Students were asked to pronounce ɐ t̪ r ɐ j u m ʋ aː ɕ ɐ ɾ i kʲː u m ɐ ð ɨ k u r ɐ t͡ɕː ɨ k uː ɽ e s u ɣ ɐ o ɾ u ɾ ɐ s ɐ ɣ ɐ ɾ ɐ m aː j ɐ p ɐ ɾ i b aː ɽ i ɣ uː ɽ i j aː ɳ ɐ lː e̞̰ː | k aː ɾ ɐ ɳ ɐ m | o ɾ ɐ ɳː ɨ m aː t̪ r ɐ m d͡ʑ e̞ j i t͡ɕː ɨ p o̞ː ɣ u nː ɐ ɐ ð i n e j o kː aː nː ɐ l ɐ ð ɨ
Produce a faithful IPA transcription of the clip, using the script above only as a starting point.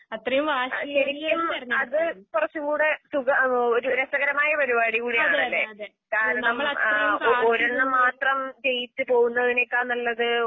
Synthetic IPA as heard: ɐ t̪ r ɐ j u m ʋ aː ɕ ɐ ɾ i kʲː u m ɐ ð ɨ k u r ɐ t͡ɕː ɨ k uː ɽ e s u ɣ ɐ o ɾ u ɾ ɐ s ɐ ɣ ɐ ɾ ɐ m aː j ɐ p ɐ ɾ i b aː ɽ i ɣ uː ɽ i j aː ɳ ɐ lː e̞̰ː | k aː ɾ ɐ ɳ ɐ m | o ɾ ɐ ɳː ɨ m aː t̪ r ɐ m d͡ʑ e̞ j i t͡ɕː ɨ p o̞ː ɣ u nː ɐ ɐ ð i n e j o kː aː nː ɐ lː ɐ ð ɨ